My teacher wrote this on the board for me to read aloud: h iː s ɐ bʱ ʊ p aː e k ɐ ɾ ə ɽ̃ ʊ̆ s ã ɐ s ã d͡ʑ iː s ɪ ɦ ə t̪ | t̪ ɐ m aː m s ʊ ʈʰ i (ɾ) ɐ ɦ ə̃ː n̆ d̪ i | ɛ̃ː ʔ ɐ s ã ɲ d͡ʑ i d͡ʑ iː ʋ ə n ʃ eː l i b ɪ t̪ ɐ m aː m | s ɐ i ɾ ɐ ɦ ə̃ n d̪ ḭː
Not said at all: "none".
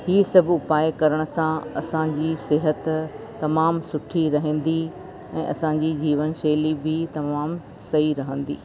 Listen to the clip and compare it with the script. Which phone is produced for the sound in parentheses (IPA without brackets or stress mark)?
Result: ɾ